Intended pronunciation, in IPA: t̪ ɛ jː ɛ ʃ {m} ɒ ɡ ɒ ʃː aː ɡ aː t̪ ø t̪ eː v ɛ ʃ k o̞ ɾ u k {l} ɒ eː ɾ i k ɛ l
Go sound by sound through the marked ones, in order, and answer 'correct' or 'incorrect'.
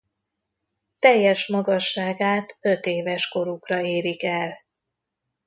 correct, incorrect: r

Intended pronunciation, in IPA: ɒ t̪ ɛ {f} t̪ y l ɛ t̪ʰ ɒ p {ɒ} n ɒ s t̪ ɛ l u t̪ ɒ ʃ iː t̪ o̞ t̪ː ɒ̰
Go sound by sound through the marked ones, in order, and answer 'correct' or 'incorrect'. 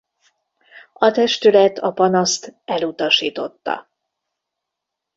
incorrect: ʃ, correct

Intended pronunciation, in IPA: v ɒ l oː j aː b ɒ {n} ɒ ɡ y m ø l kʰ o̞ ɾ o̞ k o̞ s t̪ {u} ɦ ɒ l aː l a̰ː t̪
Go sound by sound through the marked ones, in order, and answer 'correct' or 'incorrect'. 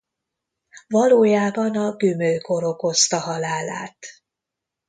correct, incorrect: ɒ

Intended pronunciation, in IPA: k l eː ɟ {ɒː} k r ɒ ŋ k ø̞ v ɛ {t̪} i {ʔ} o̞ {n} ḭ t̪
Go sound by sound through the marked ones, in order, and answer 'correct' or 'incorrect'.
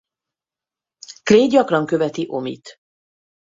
incorrect: ɒ, correct, correct, incorrect: m

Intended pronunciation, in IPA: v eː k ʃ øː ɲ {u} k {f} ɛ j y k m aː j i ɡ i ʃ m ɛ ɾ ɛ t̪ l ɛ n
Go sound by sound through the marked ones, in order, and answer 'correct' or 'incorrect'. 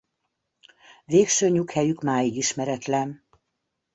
correct, incorrect: h

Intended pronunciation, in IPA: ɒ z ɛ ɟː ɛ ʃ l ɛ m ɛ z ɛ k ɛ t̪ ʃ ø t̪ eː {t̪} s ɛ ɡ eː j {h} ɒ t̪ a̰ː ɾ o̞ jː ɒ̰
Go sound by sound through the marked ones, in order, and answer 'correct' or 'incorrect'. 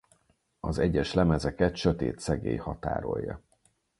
correct, correct

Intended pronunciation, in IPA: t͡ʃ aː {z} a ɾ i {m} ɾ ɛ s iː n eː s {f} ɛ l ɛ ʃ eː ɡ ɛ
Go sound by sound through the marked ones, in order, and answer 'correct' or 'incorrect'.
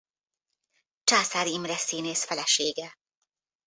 incorrect: s, correct, correct

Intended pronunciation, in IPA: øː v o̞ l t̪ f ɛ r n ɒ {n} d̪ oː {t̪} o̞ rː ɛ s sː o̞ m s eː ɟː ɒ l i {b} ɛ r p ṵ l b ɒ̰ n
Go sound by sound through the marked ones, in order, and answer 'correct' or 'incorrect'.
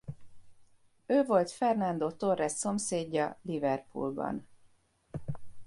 correct, correct, incorrect: v

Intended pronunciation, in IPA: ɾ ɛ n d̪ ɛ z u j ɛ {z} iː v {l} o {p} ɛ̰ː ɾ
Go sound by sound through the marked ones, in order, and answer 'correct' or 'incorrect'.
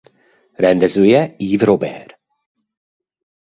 incorrect: none, incorrect: ɾ, incorrect: b

